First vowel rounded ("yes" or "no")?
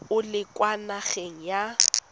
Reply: yes